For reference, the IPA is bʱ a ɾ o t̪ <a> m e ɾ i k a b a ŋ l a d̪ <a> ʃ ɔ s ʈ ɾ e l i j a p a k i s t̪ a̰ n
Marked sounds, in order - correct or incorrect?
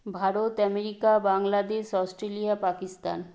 incorrect, incorrect

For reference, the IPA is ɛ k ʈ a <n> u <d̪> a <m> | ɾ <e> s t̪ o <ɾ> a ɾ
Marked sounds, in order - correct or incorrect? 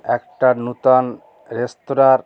correct, incorrect, incorrect, correct, correct

